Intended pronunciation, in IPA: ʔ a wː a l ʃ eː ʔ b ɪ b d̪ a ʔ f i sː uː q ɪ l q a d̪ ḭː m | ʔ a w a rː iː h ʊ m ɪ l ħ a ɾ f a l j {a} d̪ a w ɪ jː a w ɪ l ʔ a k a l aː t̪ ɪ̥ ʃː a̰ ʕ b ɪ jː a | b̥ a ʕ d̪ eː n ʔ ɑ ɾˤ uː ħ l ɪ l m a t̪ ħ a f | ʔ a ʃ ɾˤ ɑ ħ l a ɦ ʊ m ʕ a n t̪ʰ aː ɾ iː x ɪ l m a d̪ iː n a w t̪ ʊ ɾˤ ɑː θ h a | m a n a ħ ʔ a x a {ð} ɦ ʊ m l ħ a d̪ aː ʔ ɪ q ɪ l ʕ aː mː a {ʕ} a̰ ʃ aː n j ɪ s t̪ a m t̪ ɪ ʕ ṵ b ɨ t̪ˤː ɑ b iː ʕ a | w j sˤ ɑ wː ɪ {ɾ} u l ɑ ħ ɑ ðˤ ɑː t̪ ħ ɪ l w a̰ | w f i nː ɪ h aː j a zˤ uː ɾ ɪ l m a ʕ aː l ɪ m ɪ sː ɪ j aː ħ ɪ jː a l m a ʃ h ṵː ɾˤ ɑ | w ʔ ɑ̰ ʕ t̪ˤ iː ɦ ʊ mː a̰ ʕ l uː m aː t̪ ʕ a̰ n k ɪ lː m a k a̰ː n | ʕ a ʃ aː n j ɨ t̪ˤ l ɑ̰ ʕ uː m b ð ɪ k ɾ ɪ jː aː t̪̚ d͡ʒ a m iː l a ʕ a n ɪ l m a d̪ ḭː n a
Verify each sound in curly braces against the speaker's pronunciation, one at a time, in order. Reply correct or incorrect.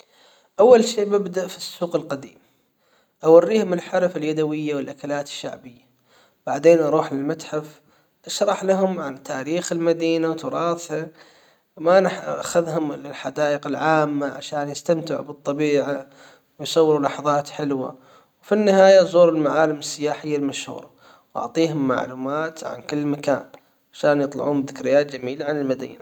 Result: correct, correct, correct, correct

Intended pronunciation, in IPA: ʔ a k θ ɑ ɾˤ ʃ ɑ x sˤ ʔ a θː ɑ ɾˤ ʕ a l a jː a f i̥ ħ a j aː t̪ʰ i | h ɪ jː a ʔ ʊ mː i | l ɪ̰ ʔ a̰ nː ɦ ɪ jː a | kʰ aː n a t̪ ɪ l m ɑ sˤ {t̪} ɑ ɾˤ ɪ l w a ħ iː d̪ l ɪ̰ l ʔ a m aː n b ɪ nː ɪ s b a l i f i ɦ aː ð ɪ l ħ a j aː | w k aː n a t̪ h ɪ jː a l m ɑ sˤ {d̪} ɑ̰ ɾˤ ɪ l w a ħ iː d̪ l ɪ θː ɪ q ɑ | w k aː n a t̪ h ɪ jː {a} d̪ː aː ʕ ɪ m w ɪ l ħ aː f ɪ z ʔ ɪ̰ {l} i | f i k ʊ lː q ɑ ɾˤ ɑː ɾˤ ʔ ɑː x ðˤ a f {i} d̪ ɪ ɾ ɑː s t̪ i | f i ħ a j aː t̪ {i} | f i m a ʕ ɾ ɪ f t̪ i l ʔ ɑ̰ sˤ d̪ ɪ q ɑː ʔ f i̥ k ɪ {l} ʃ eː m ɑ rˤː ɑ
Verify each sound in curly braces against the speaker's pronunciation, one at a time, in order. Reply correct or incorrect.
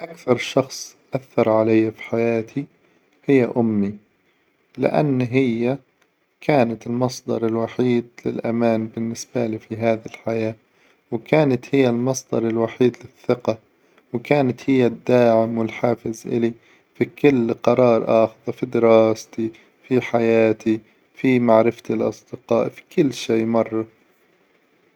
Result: incorrect: d̪, correct, correct, correct, correct, correct, incorrect: lː

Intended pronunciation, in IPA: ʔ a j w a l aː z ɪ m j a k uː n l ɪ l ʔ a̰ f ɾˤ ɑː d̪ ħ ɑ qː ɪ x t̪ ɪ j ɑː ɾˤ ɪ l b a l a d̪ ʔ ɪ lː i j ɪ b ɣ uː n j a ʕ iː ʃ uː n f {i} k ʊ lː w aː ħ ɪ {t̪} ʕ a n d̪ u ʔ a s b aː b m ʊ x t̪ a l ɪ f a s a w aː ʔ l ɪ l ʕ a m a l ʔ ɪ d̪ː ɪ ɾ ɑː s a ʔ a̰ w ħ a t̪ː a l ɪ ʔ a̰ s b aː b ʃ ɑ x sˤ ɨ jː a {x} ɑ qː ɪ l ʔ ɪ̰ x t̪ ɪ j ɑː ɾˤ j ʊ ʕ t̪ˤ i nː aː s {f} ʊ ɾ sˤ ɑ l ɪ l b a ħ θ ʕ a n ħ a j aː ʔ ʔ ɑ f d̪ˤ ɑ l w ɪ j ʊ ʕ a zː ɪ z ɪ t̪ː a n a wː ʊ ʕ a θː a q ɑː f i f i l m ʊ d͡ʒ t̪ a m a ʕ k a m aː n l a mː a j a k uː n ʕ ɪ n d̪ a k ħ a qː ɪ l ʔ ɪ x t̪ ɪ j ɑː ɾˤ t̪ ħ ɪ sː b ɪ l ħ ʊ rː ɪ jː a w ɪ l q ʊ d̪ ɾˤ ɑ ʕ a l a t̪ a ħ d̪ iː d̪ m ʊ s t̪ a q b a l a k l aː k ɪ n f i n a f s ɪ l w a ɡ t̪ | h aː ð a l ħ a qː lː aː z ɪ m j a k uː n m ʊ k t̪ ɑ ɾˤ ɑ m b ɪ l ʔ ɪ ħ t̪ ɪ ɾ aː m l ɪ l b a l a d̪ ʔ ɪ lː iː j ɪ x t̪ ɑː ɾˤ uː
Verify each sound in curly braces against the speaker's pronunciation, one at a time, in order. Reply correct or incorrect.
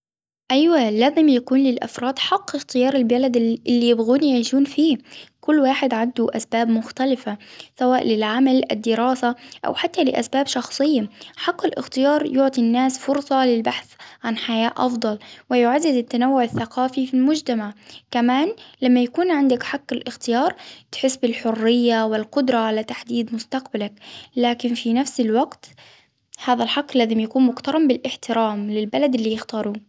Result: incorrect: iː, incorrect: d̪, incorrect: ħ, correct

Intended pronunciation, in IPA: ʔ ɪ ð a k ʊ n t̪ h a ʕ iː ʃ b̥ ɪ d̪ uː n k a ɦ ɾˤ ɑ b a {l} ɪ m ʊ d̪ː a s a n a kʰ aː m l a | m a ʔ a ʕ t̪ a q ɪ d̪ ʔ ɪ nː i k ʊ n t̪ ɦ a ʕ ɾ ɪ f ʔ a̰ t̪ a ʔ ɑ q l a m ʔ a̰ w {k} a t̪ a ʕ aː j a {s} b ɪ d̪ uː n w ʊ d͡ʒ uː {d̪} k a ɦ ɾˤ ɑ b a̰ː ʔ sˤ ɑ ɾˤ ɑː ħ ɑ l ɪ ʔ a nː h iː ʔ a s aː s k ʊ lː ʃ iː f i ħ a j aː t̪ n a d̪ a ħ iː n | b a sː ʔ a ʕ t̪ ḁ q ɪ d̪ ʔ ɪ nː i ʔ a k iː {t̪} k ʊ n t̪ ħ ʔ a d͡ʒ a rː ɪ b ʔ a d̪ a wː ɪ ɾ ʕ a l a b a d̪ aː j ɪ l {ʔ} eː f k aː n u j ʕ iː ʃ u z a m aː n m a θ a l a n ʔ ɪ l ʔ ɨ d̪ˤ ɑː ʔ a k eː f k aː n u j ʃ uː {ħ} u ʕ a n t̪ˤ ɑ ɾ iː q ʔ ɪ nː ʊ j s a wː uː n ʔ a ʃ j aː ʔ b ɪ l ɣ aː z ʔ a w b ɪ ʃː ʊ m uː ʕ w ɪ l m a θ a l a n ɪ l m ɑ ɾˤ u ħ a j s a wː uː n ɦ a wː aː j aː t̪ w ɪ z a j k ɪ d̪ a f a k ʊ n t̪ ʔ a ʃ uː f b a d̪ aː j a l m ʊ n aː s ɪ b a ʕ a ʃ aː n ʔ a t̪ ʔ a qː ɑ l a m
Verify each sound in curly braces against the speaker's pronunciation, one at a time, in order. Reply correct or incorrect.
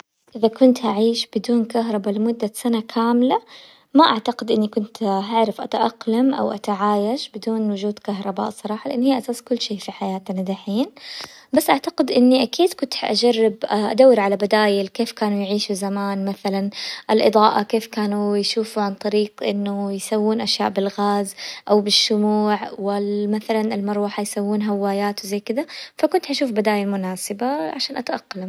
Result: correct, incorrect: ʔ, incorrect: ʃ, correct, incorrect: d̪, incorrect: k, incorrect: f

